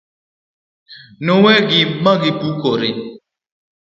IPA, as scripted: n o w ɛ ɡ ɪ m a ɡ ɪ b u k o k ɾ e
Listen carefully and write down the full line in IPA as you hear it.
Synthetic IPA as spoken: n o w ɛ ɡ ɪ m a ɡ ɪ p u k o ɾ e

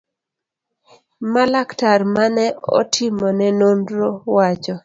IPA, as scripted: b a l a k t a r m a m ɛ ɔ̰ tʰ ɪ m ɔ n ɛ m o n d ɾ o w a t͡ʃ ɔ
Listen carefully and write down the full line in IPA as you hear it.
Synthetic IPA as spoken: m a l a k t a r m a n ɛ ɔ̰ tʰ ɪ m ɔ n ɛ n o n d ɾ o w a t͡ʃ ɔ

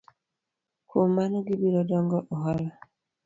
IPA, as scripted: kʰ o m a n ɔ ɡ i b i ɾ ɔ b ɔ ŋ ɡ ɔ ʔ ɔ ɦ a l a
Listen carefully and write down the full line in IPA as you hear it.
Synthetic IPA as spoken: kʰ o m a n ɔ ɡ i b i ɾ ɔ d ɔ ŋ ɡ ɔ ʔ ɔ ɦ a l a

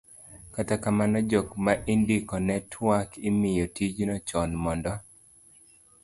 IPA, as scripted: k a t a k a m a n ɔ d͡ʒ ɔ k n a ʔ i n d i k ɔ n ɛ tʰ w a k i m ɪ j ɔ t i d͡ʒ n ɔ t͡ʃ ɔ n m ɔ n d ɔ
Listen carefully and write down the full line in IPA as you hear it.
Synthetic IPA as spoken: k a t a k a m a n ɔ d͡ʒ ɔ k m a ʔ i n d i k ɔ n ɛ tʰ w a k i m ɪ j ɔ t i d͡ʒ n ɔ t͡ʃ ɔ n m ɔ n d ɔ

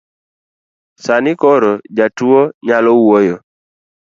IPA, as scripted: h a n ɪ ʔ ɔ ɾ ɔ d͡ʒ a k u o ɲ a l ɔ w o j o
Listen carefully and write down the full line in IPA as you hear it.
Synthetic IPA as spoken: s a n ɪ k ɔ ɾ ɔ d͡ʒ a t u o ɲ a l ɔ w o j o

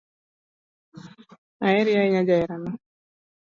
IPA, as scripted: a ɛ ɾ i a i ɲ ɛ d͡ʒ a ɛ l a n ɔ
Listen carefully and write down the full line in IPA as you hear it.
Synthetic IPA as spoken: a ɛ ɾ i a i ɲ a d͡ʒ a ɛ ɾ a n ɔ

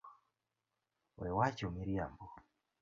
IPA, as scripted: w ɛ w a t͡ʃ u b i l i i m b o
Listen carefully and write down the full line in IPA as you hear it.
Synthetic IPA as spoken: w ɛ w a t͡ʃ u m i ɾ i a m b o

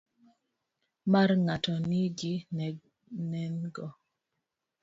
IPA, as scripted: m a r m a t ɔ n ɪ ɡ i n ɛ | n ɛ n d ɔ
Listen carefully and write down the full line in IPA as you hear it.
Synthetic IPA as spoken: m a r ŋ a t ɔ n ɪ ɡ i n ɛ | n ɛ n ɡ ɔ

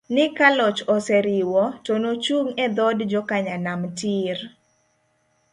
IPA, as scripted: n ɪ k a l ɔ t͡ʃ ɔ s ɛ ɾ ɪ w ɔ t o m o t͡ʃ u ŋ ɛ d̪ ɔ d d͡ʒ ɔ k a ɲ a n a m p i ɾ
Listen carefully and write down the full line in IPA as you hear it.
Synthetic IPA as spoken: n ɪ k a l ɔ t͡ʃ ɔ s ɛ ɾ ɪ w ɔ t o n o t͡ʃ u ŋ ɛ d̪ ɔ d d͡ʒ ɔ k a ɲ a n a m t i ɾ

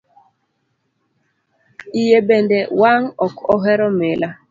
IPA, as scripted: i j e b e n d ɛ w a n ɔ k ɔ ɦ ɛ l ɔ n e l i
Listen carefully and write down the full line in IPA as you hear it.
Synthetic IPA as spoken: i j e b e n d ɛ w a ŋ ɔ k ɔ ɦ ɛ ɾ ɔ m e l a

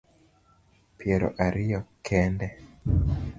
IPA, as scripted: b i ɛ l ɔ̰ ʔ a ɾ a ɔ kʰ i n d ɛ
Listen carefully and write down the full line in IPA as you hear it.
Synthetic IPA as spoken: p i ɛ ɾ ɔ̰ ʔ a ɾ i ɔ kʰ ɛ n d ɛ

